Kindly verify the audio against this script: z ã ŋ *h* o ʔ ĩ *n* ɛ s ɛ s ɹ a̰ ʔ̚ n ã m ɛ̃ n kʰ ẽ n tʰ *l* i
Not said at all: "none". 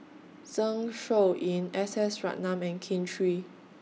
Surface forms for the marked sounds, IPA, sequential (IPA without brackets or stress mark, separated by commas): ʃ, n, ɹ